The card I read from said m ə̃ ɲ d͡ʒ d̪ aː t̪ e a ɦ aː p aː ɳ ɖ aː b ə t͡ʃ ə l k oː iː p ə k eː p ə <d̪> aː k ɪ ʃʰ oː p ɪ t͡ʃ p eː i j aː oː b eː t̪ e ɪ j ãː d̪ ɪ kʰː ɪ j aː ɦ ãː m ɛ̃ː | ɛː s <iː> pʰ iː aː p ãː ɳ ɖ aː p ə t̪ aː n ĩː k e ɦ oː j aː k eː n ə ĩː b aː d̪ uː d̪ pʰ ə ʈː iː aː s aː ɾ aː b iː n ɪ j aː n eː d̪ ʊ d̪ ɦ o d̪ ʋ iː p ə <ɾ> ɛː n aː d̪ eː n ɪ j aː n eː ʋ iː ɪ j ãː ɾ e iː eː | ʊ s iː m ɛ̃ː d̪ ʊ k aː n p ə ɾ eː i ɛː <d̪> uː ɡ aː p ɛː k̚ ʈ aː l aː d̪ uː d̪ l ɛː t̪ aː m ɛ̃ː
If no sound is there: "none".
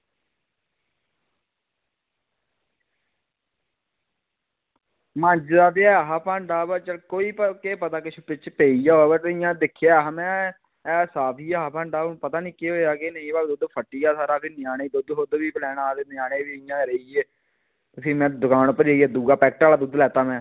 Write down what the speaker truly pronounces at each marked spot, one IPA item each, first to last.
t̪, aː, l, d̪

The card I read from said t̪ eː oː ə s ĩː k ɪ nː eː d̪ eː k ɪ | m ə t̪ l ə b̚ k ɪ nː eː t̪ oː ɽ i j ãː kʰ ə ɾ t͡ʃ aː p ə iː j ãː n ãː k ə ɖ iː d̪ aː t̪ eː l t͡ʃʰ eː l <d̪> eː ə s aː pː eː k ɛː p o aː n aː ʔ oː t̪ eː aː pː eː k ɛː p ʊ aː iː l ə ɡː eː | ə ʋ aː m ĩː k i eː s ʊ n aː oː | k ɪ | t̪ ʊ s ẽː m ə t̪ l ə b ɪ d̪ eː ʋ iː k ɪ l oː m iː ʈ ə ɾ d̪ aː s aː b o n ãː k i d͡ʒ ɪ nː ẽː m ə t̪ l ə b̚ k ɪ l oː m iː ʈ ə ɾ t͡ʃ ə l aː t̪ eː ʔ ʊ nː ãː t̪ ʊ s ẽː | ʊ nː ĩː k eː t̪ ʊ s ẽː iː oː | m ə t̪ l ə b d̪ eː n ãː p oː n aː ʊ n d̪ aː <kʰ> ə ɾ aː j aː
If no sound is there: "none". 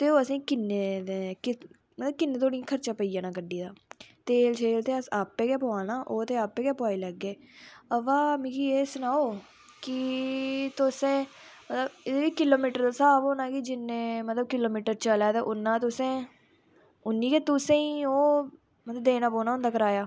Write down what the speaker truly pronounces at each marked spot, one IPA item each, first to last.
t̪, k

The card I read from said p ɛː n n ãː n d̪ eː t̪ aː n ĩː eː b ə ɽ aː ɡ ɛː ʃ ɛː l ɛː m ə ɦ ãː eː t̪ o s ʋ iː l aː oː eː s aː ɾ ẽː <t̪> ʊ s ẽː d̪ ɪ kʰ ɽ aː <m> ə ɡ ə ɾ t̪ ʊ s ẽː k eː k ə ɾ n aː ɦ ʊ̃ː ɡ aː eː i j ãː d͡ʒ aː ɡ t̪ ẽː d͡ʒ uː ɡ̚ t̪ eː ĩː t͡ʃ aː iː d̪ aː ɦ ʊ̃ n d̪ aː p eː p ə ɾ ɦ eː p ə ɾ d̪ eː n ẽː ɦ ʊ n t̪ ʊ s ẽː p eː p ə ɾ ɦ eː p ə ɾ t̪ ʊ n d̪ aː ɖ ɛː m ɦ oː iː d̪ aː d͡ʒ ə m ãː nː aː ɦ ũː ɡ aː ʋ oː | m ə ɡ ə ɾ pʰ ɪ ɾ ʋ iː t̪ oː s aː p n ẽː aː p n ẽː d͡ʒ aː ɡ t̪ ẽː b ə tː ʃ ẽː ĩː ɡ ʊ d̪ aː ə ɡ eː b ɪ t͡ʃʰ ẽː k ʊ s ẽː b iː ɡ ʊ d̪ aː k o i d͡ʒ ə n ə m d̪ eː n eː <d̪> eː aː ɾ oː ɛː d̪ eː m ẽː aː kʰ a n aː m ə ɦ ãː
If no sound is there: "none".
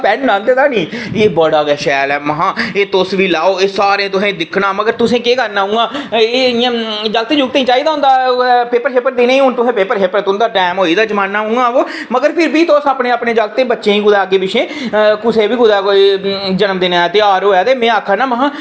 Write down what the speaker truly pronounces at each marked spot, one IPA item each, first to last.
t̪, m, t̪

